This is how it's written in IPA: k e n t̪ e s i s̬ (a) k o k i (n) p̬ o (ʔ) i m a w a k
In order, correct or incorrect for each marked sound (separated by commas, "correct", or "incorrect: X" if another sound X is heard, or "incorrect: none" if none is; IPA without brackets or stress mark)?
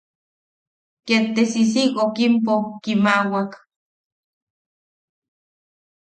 incorrect: i, incorrect: m, incorrect: k